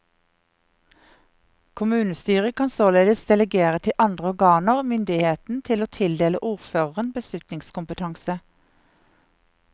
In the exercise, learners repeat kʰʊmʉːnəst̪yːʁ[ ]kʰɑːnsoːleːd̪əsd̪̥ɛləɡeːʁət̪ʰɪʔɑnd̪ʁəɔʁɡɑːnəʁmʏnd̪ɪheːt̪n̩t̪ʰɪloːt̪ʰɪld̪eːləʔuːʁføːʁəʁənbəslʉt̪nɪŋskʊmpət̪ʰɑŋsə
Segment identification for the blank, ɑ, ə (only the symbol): ə